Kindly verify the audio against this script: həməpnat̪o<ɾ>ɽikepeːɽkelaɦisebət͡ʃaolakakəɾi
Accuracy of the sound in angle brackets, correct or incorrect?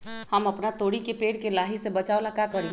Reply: incorrect